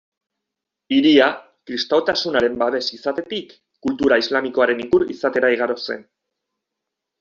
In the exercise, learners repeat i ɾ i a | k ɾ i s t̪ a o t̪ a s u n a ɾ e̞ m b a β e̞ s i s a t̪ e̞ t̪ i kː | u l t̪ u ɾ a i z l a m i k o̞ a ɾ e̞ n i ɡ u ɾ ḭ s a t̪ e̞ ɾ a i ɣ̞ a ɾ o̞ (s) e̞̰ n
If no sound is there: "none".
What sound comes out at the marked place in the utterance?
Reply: s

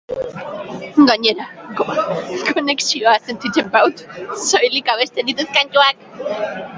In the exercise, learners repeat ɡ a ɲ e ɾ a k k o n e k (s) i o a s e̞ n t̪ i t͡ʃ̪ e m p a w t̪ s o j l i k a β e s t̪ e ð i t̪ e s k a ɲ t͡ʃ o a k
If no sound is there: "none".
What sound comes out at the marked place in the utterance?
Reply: s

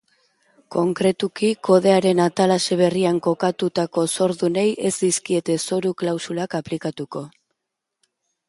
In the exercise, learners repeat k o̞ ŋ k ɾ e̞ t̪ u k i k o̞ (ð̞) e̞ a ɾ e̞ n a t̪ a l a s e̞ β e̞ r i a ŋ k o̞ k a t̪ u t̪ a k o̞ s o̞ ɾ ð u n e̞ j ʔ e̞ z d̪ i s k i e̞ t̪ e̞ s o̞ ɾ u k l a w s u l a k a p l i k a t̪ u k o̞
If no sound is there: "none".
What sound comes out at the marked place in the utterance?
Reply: ð̞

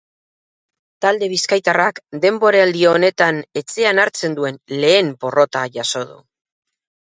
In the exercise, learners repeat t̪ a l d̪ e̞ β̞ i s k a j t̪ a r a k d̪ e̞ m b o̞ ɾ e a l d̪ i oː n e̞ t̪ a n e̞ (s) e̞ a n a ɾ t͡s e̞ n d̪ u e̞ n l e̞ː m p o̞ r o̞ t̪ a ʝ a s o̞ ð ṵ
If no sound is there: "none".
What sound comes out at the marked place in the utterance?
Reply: t͡s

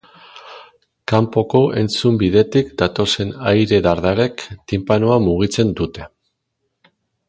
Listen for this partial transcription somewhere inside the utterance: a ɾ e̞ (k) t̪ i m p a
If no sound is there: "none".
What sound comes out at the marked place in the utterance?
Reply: k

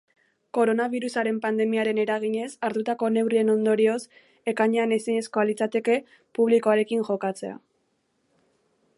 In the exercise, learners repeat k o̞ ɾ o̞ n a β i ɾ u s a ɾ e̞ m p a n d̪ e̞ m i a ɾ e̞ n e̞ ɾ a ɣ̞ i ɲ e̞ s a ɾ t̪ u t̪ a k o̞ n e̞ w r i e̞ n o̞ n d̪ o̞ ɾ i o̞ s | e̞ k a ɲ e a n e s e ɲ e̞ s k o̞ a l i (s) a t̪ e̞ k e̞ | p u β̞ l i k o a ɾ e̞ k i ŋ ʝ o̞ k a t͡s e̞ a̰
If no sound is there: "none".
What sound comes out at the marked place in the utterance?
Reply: t͡s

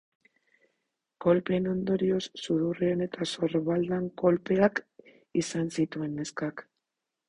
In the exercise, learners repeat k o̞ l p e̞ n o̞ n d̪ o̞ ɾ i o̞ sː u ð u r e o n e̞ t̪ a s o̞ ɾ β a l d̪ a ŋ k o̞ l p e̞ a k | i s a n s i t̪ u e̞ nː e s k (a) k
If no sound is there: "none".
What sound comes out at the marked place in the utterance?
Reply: a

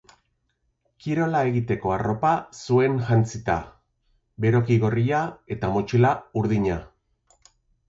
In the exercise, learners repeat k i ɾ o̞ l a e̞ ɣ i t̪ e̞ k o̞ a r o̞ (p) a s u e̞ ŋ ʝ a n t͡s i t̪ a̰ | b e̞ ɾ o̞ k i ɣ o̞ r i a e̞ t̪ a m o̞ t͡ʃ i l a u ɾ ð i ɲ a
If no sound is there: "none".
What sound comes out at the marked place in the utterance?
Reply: p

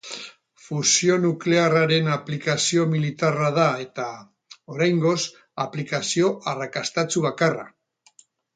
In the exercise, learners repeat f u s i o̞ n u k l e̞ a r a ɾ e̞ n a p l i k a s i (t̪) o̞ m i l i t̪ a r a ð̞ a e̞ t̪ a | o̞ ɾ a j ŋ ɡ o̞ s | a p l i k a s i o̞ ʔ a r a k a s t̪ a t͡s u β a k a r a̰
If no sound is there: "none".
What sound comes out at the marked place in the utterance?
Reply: none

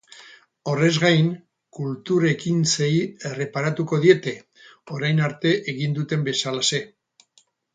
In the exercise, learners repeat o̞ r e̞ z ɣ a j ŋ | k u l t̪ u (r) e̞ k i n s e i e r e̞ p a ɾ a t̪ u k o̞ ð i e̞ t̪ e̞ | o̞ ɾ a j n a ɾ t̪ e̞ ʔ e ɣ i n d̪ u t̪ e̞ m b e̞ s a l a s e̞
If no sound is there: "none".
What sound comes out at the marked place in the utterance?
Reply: ɾ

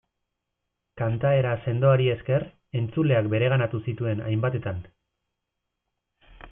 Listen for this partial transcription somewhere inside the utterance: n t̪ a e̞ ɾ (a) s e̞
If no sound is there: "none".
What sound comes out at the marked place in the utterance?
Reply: a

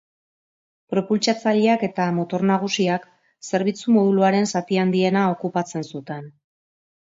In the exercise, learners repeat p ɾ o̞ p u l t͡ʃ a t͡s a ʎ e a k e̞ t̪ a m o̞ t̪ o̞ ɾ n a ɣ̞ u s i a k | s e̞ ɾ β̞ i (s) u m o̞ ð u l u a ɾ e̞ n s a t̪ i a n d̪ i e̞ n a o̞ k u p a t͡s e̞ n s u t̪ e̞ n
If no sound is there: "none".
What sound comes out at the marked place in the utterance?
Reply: t͡s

